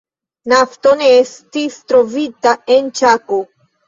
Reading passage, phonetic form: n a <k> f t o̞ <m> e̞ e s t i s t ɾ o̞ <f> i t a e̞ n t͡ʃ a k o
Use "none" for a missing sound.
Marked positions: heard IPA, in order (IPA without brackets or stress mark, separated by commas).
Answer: none, n, v